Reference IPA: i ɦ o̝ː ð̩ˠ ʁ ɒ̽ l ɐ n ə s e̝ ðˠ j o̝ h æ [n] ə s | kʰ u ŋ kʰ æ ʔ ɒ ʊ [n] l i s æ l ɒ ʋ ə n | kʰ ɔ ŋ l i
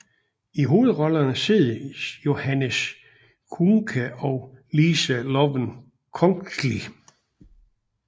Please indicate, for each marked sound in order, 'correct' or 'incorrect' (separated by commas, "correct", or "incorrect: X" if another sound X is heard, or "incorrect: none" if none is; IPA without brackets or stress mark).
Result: correct, incorrect: none